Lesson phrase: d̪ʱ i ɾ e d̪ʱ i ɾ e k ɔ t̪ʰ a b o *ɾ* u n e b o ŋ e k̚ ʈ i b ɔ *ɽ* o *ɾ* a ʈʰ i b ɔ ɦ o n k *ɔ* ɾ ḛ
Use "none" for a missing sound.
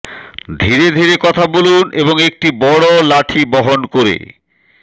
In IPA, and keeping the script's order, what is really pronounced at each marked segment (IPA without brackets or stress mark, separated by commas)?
l, ɽ, l, o